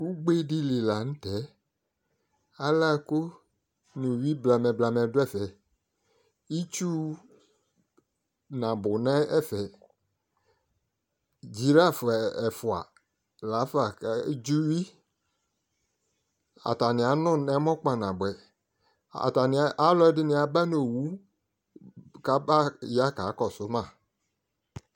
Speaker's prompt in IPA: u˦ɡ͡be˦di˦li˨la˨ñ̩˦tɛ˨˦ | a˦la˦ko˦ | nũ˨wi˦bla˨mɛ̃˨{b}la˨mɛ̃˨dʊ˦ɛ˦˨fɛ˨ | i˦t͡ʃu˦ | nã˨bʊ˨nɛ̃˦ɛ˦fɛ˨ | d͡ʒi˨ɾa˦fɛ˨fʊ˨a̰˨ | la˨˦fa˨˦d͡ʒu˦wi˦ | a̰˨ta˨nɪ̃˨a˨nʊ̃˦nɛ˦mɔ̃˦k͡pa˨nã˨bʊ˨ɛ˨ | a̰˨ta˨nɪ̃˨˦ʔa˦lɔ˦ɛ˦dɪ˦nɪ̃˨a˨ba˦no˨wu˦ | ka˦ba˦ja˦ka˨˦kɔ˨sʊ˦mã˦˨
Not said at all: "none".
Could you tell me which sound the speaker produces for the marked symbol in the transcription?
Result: b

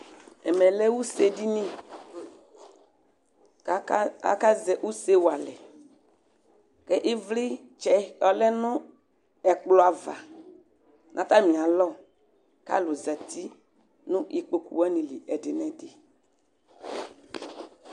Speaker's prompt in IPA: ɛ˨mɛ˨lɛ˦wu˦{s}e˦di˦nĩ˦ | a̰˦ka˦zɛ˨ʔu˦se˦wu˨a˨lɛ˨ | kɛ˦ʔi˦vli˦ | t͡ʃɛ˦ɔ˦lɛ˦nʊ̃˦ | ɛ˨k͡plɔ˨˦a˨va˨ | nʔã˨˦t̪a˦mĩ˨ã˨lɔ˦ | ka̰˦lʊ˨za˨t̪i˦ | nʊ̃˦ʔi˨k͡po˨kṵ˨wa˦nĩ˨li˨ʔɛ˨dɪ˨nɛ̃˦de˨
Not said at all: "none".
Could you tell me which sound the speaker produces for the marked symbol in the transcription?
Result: s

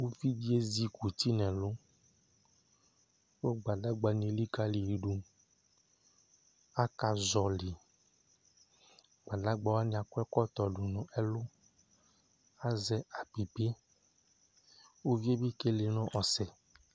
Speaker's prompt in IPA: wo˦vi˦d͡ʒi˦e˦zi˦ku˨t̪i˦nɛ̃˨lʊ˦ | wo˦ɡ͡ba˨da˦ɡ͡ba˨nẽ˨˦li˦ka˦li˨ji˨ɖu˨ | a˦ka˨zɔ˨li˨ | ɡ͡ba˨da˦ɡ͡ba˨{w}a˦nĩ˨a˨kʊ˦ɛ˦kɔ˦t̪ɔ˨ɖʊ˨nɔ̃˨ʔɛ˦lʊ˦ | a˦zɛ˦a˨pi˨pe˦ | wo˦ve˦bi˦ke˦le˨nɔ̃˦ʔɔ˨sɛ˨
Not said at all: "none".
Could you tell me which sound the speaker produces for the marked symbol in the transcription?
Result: w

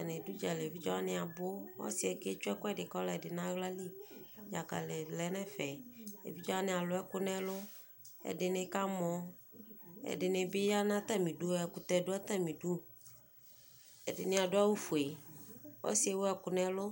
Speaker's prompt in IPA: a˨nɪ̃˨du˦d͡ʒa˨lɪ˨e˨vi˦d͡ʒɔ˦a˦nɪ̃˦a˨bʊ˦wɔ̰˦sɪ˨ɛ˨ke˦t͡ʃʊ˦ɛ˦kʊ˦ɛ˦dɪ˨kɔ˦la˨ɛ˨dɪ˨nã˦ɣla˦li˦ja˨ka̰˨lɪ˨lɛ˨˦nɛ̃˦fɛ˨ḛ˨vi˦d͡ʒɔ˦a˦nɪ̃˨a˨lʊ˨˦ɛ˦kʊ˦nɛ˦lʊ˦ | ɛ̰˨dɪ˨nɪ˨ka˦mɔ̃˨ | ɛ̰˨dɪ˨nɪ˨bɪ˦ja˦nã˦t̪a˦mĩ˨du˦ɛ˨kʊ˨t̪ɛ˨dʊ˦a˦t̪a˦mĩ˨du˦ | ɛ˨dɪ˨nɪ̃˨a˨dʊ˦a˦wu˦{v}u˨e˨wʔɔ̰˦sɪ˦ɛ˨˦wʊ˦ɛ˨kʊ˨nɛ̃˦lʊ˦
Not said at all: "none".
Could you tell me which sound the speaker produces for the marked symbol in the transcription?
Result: f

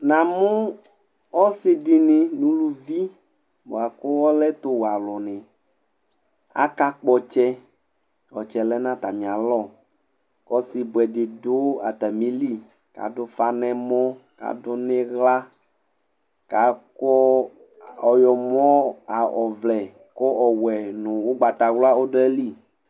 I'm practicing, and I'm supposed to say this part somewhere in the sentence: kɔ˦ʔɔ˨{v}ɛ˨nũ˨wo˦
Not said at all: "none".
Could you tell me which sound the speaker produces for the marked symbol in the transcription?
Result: w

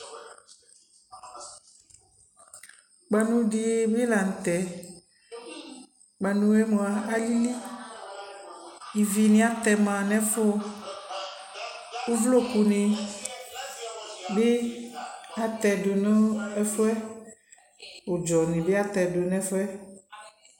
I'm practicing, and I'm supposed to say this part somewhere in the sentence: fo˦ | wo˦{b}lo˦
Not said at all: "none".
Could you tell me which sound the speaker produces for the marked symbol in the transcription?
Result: v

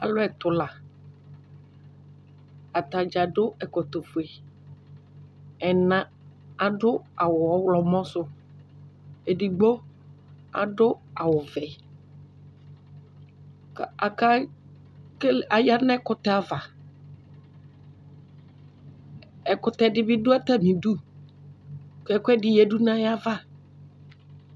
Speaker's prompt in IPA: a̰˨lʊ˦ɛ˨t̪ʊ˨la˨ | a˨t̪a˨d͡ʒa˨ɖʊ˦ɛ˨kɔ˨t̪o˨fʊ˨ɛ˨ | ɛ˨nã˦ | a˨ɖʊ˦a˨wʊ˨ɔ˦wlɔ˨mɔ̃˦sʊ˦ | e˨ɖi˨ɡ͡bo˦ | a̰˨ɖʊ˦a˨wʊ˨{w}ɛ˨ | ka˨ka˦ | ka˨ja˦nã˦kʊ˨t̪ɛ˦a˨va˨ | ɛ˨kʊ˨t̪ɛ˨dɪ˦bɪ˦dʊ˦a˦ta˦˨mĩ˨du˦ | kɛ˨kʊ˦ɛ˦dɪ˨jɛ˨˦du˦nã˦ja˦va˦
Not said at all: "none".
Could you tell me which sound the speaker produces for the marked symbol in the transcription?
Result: v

